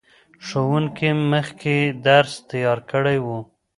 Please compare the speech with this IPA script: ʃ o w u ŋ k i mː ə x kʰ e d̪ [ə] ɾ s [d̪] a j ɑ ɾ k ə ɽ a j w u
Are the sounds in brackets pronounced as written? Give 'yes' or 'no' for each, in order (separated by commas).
no, no